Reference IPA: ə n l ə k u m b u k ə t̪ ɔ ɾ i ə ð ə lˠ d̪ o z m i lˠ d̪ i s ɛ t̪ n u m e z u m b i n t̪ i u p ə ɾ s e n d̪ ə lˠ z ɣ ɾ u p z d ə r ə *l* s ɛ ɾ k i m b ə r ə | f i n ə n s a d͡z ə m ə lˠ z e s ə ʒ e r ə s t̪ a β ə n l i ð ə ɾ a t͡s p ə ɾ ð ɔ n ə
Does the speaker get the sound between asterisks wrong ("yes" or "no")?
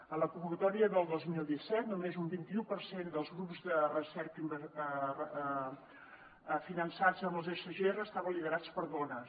yes